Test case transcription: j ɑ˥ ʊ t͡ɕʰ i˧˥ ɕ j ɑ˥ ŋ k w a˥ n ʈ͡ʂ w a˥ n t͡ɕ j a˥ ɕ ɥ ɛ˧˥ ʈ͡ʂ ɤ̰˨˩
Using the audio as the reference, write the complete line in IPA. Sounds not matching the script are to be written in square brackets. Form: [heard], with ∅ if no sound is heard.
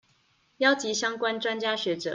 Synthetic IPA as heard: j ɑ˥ ʊ [t͡ɕ] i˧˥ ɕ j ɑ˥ ŋ k w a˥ n ʈ͡ʂ w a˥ n t͡ɕ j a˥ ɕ ɥ ɛ˧˥ ʈ͡ʂ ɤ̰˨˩